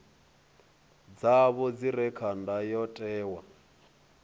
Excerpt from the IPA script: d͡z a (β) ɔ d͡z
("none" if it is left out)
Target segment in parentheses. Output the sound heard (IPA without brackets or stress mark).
β